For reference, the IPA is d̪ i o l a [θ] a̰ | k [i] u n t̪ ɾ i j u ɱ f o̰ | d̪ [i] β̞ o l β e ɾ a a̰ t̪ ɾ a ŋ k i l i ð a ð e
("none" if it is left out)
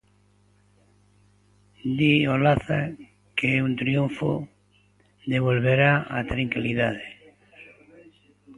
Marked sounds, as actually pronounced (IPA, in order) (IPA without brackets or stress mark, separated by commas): θ, e, e